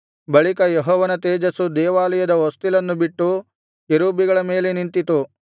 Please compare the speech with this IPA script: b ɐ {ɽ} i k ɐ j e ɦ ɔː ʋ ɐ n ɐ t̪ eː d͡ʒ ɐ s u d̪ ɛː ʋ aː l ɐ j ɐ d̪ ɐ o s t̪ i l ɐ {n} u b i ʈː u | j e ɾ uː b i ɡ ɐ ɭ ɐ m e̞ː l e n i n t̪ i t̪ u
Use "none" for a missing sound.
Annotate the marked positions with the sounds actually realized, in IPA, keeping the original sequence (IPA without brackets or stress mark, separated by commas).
ɭ, nː